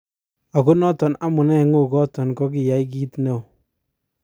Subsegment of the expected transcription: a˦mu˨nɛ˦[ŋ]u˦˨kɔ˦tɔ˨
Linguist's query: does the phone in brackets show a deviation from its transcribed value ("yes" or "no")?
no